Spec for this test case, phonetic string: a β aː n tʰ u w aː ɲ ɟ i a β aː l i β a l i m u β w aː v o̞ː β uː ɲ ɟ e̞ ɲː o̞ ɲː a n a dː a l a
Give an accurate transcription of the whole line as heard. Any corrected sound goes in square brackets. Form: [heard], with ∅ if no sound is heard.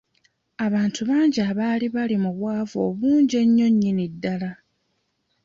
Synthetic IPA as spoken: a β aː n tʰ u [β] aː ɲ ɟ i a β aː l i β a l i m u β w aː v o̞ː β uː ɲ ɟ e̞ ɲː o̞ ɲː [i] n [i] dː a l a